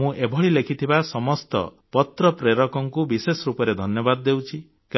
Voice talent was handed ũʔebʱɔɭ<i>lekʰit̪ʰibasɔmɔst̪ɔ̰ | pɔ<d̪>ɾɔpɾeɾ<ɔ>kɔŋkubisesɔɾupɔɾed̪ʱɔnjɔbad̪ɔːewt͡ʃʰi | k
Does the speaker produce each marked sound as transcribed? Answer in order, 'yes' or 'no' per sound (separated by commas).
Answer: yes, no, yes